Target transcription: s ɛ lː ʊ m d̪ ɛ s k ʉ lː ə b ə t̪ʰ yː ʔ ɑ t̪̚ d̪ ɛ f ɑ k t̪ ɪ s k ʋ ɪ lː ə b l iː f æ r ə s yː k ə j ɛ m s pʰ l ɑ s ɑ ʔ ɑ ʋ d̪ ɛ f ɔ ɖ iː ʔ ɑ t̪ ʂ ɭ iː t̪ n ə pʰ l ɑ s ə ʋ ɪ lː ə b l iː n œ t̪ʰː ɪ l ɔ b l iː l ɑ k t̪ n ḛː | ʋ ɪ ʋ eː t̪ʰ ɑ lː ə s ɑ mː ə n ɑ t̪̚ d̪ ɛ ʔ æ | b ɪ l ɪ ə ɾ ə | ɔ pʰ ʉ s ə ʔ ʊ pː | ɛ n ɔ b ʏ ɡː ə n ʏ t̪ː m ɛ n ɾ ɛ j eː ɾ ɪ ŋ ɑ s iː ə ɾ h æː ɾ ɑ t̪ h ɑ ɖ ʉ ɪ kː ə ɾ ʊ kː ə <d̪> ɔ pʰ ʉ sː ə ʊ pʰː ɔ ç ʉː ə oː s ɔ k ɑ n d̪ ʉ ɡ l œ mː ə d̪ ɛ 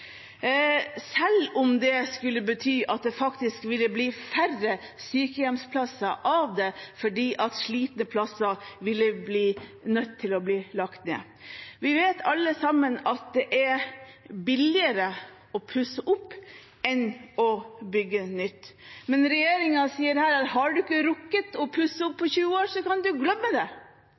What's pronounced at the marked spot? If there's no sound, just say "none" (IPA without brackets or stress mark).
t̪